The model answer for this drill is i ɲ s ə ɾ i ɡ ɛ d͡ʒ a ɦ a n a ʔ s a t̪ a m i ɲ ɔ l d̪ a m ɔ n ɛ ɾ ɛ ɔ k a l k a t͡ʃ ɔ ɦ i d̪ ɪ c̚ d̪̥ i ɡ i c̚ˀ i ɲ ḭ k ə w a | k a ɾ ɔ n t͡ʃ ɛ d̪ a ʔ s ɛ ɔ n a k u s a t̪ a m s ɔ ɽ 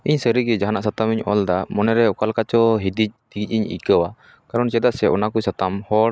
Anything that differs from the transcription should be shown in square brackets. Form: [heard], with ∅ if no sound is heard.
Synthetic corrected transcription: i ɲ s ə ɾ i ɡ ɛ d͡ʒ a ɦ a n a ʔ s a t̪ a m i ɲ ɔ l d̪ a m ɔ n ɛ ɾ ɛ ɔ k a l k a t͡ʃ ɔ ɦ i d̪ [i] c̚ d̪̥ i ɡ i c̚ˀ i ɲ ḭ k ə w a | k a ɾ ɔ n t͡ʃ ɛ d̪ a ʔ s ɛ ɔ n a k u s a t̪ a m [h] ɔ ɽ

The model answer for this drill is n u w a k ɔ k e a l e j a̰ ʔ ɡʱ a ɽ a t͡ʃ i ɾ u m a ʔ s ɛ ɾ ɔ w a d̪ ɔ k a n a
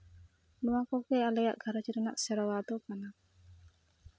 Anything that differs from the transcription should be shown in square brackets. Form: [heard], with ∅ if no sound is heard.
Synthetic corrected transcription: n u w a k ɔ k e a l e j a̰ ʔ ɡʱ a [ɾ] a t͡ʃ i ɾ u [n] a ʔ s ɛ ɾ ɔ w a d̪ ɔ k a n a

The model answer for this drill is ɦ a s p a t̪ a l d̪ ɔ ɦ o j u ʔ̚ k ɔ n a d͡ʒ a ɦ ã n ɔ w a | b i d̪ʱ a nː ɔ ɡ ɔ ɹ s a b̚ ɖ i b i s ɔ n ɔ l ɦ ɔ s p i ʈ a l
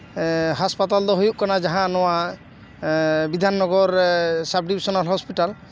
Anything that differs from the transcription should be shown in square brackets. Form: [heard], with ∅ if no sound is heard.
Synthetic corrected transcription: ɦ a s p a t̪ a l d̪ ɔ ɦ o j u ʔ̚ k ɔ n a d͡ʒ a ɦ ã n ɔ w a | b i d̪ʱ a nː ɔ ɡ ɔ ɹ s a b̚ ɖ i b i s ɔ n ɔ l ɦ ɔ s p i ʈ a l

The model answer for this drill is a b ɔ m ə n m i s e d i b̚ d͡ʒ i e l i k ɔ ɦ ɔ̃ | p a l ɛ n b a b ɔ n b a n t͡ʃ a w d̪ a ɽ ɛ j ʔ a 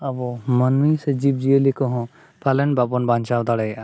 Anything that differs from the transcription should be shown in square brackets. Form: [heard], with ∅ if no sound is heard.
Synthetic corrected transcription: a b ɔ m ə n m i s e [d͡ʒ] i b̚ d͡ʒ i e l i k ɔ ɦ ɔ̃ | p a l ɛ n b a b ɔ n b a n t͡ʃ a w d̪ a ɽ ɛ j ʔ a

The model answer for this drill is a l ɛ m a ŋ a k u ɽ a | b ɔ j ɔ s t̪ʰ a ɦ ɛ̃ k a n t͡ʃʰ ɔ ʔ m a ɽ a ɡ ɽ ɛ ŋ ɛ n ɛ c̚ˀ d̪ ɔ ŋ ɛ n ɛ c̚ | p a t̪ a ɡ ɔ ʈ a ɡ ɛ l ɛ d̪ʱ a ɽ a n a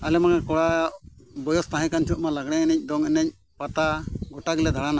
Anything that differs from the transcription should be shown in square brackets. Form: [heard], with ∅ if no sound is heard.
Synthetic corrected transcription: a l ɛ m a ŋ a k [ɔ] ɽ a | b ɔ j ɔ s [t̪] a ɦ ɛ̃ k a n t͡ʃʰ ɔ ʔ m a [l] a ɡ ɽ ɛ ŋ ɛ n ɛ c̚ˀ d̪ ɔ ŋ ɛ n ɛ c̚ | p a t̪ a ɡ ɔ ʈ a ɡ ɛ l ɛ d̪ʱ a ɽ a n a

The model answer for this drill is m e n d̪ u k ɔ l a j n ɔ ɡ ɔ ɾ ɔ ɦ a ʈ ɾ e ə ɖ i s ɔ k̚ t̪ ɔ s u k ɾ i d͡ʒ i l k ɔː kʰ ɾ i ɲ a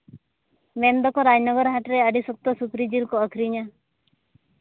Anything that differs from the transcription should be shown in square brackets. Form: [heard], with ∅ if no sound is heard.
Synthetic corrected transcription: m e n d̪ [ɔ] k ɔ [ɾ] a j n ɔ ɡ ɔ ɾ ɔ ɦ a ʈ ɾ e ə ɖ i s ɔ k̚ t̪ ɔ s u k ɾ i d͡ʒ i l k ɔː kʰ ɾ i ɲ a

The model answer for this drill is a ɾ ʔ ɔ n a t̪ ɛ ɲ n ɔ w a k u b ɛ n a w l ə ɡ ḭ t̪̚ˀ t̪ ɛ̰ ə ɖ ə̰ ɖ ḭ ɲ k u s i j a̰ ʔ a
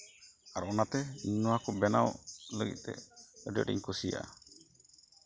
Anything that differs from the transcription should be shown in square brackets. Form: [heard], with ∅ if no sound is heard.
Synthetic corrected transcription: a ɾ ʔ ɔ n a t̪ ɛ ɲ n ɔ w a k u b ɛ n a w l ə ɡ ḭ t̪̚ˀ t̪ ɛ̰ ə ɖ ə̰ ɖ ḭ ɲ k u s i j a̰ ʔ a

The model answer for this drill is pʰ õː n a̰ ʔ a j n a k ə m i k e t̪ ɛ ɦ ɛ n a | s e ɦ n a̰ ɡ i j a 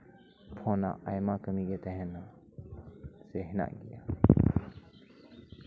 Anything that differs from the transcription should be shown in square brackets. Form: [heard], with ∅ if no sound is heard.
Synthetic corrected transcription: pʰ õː n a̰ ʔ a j [m] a k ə m i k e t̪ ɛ ɦ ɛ n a | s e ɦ n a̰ ɡ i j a

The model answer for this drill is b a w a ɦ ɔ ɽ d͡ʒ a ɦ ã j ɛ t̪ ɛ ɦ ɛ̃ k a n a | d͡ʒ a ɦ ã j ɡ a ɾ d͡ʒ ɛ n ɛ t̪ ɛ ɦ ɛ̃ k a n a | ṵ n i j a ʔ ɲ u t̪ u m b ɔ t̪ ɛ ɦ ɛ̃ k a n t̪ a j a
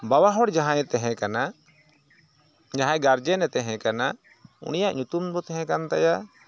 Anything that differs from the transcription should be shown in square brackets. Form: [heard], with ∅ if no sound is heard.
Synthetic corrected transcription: b a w a ɦ ɔ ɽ d͡ʒ a ɦ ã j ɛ t̪ ɛ ɦ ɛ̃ k a n a | d͡ʒ a ɦ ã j ɡ a ɾ d͡ʒ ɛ n ɛ t̪ ɛ ɦ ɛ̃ k a n a | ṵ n i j a ʔ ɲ u t̪ u m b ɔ t̪ ɛ ɦ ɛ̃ k a n t̪ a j a

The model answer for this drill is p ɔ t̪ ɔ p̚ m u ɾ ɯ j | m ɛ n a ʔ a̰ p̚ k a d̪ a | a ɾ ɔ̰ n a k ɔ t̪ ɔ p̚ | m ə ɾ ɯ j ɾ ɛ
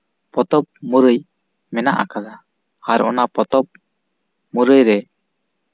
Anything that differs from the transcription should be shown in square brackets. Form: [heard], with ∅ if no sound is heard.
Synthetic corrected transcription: p ɔ t̪ ɔ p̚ m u ɾ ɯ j | m ɛ n a ʔ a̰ [∅] k a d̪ a | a ɾ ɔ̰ n a [p] ɔ t̪ ɔ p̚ | m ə ɾ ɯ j ɾ ɛ

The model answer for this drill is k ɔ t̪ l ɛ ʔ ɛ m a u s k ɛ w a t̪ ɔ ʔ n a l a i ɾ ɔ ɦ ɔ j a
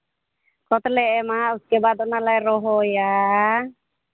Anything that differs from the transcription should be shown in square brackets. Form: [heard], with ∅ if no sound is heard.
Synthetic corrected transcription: k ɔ t̪ l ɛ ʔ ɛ m a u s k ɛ [b] a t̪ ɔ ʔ n a l a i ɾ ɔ ɦ ɔ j a

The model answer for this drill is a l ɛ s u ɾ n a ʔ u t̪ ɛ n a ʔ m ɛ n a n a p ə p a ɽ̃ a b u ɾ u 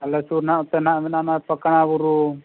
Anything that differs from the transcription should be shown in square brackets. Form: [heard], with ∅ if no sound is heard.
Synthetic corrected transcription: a l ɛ s u ɾ n a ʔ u t̪ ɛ n a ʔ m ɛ n a n a p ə [k] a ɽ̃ a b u ɾ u

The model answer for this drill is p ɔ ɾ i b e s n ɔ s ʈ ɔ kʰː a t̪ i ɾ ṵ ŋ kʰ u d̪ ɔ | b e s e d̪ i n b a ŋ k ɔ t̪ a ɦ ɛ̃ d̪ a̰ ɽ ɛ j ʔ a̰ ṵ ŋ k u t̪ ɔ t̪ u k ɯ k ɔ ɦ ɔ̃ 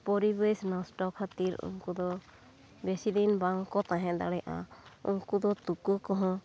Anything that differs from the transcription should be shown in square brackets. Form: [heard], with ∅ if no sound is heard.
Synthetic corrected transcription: p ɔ ɾ i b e s n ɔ s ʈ ɔ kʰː a t̪ i ɾ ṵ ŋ [k] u d̪ ɔ | b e s [i] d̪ i n b a ŋ k ɔ t̪ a ɦ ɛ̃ d̪ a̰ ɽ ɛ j ʔ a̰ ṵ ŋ k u [d̪] ɔ t̪ u k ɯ k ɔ ɦ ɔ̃

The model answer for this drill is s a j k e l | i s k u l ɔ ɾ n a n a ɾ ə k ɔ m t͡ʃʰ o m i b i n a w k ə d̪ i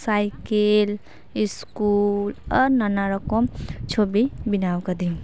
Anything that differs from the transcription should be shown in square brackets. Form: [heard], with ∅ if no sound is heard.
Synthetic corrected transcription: s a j k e l | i s k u l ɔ ɾ n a n a ɾ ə k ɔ m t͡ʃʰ o [b] i b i n a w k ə d̪ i

